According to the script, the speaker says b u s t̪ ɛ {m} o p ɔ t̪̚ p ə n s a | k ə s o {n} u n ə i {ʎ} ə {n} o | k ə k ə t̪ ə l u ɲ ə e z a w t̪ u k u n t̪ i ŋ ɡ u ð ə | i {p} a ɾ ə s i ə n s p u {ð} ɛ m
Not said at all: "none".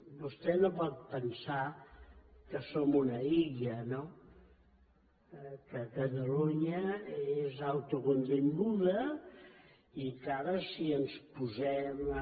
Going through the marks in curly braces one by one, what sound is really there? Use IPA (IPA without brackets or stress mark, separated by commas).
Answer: n, m, ʎ, n, k, z